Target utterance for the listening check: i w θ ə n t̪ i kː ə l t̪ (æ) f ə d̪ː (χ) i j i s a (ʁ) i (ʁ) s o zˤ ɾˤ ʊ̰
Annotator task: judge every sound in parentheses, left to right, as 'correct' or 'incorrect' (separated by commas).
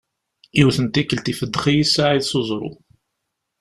incorrect, correct, incorrect, incorrect